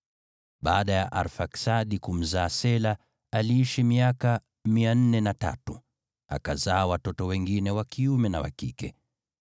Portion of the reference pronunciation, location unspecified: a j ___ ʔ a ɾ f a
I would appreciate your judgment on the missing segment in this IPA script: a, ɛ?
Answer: a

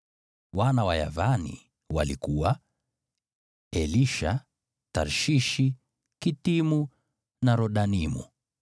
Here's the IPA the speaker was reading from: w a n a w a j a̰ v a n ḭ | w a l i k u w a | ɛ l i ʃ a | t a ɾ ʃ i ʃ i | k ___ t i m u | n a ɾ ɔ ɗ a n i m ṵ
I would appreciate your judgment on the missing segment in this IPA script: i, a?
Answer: i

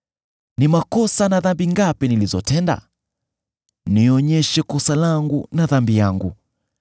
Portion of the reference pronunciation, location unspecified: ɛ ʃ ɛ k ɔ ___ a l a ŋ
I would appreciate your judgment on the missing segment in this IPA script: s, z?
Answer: s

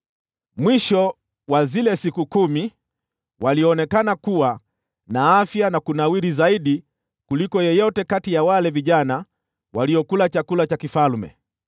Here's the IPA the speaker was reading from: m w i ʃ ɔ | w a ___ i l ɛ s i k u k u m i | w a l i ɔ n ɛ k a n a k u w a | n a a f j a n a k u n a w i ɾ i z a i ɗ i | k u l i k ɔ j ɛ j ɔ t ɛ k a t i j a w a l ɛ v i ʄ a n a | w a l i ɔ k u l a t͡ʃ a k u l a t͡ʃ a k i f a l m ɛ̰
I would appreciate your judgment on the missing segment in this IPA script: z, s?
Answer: z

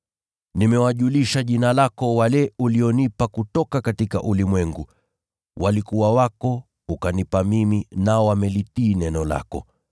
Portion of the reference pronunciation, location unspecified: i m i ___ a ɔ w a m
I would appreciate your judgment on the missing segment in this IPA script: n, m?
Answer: n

